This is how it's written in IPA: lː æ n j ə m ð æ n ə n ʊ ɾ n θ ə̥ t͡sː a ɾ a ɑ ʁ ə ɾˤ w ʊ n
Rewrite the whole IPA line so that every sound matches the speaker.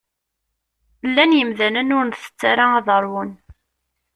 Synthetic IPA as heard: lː æ n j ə m ð æ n ə n ʊ ɾ n θ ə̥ t͡sː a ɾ a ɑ ð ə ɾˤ w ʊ n